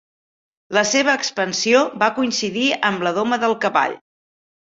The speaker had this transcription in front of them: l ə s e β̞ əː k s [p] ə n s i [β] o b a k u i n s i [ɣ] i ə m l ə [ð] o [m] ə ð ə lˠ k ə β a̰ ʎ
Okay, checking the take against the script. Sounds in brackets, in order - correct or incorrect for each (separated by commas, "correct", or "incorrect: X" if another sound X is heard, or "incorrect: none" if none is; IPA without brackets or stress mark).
correct, incorrect: none, incorrect: ð, correct, correct